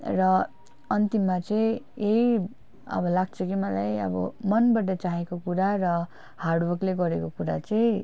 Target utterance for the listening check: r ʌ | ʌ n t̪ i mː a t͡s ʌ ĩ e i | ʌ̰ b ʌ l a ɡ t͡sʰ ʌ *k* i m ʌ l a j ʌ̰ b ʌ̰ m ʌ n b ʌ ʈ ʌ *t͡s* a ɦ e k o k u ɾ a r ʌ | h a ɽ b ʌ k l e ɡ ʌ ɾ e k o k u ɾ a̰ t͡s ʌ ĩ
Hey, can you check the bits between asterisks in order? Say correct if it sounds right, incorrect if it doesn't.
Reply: correct, correct

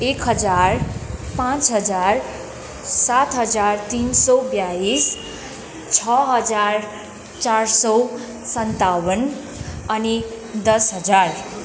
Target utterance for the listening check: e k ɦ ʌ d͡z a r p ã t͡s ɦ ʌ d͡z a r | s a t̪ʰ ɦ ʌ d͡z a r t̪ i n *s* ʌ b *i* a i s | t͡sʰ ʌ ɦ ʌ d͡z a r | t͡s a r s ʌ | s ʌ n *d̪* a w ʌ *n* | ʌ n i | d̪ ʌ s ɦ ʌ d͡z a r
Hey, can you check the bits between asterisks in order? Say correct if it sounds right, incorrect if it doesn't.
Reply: correct, incorrect: j, incorrect: t̪, correct

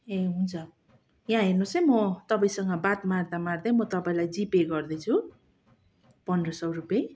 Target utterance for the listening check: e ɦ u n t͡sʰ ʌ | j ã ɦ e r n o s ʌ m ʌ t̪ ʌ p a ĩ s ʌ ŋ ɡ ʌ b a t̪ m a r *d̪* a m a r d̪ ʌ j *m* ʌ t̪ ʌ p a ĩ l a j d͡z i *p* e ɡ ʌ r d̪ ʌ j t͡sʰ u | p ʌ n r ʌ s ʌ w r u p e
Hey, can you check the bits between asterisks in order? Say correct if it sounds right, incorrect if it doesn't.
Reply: correct, correct, correct

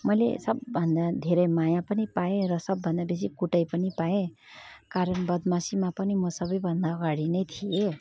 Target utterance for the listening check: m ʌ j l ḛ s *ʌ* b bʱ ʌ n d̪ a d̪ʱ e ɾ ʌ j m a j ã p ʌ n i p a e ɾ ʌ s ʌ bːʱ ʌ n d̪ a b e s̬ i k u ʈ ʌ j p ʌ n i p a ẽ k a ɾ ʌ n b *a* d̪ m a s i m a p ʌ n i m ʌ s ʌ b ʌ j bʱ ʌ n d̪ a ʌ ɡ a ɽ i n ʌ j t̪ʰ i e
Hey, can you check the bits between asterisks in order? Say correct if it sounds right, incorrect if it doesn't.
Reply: correct, incorrect: ʌ

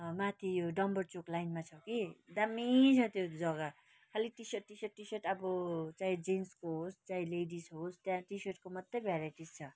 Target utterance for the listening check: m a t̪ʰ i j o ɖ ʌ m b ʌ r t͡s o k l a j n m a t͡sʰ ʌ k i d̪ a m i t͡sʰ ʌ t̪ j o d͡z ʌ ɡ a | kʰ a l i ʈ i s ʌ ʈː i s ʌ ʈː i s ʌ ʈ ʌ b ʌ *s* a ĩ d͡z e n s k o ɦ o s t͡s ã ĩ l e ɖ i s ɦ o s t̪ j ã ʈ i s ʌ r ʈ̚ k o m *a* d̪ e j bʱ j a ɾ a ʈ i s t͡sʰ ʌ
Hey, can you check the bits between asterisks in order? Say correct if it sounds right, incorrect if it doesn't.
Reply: incorrect: t͡s, incorrect: ʌ

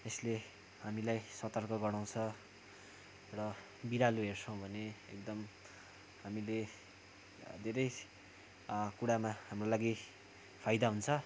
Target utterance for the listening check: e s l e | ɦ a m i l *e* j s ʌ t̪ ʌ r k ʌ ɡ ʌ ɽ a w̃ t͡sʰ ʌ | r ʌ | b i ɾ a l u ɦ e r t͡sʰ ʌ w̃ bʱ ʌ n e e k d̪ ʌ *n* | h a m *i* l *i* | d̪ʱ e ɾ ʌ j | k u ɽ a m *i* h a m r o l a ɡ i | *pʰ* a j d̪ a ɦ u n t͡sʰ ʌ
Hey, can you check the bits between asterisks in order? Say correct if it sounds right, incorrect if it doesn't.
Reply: incorrect: a, incorrect: m, correct, incorrect: e, incorrect: a, correct

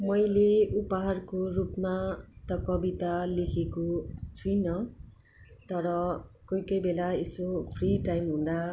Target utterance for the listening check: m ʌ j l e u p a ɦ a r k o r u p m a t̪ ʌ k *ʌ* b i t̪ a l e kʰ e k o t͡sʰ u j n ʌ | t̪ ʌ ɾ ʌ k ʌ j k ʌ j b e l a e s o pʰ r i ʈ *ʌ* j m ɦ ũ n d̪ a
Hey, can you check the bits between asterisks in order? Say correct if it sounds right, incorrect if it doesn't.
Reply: correct, incorrect: a

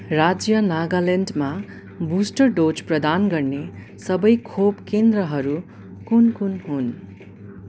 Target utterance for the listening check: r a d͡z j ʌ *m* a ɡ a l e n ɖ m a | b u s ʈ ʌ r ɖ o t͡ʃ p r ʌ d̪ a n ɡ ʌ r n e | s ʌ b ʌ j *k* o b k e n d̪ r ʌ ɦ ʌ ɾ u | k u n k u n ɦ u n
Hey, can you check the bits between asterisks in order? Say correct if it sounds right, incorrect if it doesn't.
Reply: incorrect: n, incorrect: kʰ

